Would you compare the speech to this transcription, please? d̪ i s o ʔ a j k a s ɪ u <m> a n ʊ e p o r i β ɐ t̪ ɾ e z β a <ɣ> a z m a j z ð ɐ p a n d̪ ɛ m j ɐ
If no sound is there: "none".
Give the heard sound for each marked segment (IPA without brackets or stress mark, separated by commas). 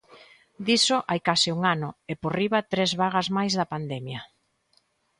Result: ŋ, ɣ